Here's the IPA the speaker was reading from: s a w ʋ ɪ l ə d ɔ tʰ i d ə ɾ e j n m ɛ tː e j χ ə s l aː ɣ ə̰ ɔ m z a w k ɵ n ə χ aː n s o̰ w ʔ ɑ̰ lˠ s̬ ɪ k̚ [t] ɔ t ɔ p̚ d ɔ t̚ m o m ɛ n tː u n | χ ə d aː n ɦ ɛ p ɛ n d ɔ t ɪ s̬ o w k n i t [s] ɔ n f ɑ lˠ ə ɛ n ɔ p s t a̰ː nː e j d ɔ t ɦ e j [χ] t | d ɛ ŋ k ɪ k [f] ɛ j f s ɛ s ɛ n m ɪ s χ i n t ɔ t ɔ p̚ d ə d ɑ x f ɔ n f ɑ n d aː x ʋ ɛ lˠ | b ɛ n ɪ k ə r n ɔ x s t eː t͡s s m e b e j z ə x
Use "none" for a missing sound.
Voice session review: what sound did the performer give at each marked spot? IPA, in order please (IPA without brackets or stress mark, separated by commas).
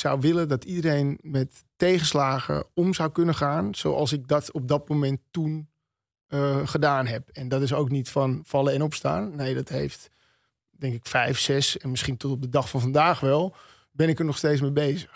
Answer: d, f, f, f